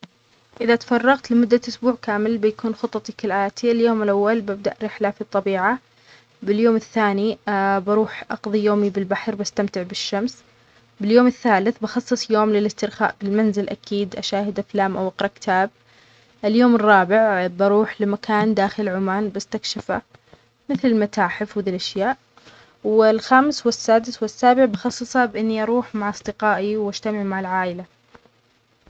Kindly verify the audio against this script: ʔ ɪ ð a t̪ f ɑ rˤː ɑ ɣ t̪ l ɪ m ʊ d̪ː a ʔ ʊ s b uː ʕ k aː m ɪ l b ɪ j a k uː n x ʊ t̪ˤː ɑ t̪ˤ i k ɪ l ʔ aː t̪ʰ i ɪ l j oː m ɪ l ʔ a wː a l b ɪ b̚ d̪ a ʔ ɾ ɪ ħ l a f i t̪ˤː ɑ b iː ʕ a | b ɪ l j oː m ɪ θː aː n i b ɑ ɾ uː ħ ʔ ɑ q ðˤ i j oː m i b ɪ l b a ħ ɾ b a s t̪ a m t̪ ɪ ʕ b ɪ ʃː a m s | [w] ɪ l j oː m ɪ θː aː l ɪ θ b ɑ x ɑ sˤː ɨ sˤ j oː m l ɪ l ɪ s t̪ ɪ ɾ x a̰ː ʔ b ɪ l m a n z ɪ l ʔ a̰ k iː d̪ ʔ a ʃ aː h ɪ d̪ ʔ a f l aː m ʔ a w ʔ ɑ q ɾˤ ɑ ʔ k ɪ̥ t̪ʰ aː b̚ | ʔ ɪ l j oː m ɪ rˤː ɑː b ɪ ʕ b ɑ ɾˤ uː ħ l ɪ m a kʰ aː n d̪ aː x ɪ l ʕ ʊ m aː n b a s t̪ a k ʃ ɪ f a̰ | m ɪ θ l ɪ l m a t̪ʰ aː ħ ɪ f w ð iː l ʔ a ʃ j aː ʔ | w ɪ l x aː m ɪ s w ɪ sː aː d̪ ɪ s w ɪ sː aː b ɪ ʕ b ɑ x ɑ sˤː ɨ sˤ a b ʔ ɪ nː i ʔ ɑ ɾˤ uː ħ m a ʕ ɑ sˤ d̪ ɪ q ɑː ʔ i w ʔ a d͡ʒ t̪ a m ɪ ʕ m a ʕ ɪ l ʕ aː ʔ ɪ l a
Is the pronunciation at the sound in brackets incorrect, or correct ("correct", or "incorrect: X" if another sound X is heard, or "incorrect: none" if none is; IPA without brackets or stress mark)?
incorrect: b